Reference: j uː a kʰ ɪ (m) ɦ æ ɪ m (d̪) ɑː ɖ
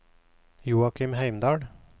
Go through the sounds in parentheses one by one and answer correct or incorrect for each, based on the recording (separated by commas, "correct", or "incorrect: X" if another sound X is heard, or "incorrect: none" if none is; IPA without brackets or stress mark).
correct, correct